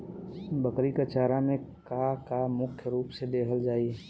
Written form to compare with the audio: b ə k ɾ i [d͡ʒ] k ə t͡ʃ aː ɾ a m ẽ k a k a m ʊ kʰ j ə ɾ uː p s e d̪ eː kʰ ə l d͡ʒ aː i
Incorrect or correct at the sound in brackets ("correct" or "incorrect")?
incorrect